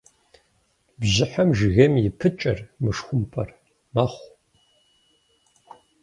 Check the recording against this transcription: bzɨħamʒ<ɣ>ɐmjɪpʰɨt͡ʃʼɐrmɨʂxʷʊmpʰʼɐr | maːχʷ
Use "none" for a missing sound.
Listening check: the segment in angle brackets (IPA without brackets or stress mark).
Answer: ɣ